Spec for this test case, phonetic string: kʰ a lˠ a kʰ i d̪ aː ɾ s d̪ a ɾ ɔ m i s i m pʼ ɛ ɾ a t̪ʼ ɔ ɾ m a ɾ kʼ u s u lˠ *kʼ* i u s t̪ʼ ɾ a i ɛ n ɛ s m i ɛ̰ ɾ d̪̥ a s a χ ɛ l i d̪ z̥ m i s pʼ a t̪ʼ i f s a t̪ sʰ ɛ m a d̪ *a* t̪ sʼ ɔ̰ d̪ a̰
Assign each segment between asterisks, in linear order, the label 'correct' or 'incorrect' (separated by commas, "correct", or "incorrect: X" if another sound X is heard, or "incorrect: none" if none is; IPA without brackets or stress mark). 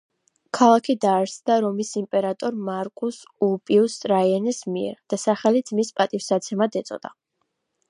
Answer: incorrect: pʼ, incorrect: ɛ